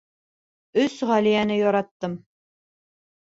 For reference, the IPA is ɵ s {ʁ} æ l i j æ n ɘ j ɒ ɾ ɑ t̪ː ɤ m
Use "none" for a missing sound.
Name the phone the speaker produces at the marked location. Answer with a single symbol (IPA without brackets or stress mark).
ʁ